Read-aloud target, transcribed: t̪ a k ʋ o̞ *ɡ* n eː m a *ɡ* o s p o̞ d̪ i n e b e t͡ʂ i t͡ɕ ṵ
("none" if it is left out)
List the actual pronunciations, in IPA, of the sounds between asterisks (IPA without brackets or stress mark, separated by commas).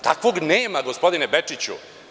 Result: ɡ, ɡ